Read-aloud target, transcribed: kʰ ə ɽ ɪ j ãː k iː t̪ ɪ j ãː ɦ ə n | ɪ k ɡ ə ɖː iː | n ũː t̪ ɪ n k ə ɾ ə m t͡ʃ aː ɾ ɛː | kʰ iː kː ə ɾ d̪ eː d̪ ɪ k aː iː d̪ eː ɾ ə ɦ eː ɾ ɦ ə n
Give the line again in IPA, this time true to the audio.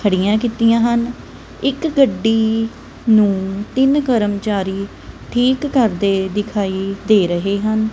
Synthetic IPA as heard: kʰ ə ɽ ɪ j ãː k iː t̪ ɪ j ãː ɦ ə n | ɪ k ɡ ə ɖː iː | n ũː t̪ ɪ n k ə ɾ ə m t͡ʃ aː ɾ iː | ʈʰ iː kː ə ɾ d̪ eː d̪ ɪ kʰ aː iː d̪ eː ɾ ə ɦ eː ɦ ə n

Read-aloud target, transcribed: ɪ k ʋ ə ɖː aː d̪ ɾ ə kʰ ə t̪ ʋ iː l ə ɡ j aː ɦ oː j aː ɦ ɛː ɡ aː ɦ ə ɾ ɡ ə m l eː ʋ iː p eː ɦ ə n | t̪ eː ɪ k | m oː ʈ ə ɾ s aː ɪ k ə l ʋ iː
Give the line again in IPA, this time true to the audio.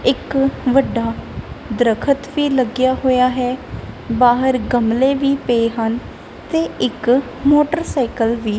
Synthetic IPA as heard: ɪ k ʋ ə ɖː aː d̪ ɾ ə kʰ ə t̪ ʋ iː l ə ɡ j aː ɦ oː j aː ɦ ɛː b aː ɦ ə ɾ ɡ ə m l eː ʋ iː p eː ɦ ə n | t̪ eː ɪ k | m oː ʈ ə ɾ s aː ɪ k ə l ʋ iː

